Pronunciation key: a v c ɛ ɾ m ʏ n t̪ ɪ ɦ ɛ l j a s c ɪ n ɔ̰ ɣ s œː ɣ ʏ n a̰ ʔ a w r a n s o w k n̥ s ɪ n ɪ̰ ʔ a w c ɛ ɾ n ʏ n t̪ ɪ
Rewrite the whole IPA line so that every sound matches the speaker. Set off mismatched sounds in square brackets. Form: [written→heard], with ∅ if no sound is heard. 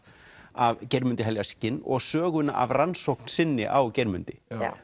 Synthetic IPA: a v c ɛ ɾ m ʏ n t̪ ɪ ɦ ɛ l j a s c ɪ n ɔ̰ ɣ s œː ɣ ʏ n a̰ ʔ a [w→v] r a n s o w k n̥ s ɪ [n→nː] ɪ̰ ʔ a w c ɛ ɾ [n→m] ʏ n t̪ ɪ